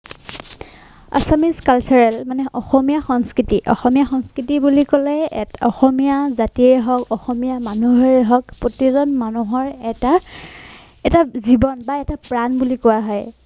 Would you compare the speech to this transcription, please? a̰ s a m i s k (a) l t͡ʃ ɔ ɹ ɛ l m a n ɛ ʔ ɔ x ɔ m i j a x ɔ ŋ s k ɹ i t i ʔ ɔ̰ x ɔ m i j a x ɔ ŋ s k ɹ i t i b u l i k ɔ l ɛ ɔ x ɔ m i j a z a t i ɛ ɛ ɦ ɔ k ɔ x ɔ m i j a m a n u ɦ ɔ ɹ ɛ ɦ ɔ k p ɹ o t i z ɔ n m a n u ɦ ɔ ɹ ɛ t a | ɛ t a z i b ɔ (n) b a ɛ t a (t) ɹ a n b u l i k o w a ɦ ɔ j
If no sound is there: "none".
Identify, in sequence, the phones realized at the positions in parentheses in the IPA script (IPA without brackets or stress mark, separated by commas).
a, n, p